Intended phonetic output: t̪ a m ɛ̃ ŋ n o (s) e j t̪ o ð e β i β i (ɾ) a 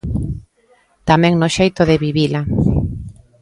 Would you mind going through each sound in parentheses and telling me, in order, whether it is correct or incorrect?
incorrect: ʃ, incorrect: l

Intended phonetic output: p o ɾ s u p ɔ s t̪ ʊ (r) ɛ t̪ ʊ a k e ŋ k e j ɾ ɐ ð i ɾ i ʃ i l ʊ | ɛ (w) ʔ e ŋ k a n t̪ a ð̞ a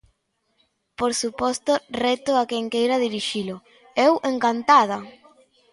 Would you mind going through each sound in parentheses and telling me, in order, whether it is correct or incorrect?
correct, correct

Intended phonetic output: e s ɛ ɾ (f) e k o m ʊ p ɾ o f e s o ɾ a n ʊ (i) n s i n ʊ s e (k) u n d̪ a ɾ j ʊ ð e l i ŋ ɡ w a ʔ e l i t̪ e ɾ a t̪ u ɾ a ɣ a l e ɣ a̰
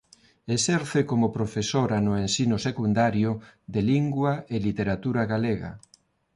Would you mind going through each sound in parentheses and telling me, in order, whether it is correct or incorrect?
incorrect: θ, incorrect: e, correct

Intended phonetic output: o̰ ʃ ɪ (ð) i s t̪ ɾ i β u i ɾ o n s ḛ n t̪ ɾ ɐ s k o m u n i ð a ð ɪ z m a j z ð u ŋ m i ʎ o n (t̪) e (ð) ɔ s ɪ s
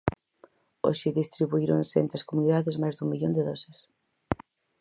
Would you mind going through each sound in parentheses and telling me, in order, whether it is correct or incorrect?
correct, incorrect: d̪, correct

